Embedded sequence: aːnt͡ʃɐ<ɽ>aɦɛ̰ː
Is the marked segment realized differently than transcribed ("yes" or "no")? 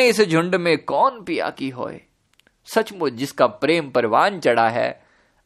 no